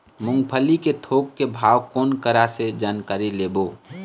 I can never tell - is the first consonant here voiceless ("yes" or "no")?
no